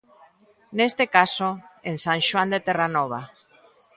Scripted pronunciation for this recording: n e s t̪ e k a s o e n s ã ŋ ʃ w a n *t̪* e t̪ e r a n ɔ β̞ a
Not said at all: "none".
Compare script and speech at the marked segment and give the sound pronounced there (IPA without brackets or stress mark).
d̪